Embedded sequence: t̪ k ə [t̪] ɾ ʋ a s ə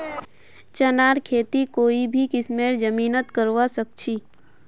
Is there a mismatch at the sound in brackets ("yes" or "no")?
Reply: yes